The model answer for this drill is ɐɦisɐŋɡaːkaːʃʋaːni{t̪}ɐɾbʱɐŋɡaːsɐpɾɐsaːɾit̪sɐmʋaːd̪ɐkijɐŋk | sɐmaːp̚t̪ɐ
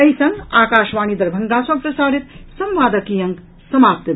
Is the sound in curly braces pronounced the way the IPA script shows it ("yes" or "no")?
no